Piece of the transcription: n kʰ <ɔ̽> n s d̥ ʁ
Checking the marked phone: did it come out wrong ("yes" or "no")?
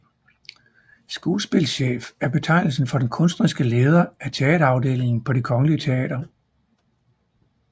no